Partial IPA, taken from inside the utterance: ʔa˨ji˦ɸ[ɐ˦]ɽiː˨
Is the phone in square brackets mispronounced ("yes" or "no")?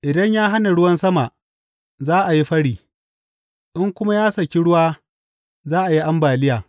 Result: no